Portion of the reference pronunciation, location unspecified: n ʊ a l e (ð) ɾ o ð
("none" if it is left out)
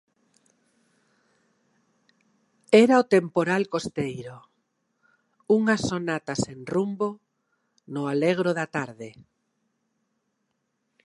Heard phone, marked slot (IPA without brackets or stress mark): ɣ